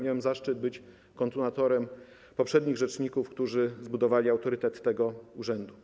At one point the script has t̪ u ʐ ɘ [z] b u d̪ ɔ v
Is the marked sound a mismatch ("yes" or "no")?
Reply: no